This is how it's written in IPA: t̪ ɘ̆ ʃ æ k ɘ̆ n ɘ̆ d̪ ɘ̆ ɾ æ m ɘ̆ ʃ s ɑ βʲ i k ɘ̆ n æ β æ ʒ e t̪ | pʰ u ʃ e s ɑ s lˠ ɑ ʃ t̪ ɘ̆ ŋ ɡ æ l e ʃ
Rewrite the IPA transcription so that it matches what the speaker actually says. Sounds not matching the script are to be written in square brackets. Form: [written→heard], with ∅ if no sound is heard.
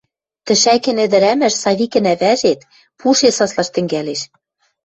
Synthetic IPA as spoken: t̪ ɘ̆ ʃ æ k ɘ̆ n ɘ̆ d̪ ɘ̆ ɾ æ m ɘ̆ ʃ s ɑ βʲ i k ɘ̆ n æ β æ ʒ e t̪ | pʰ u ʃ e s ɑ s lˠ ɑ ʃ t̪ ɘ̆ ŋ ɡ æ l e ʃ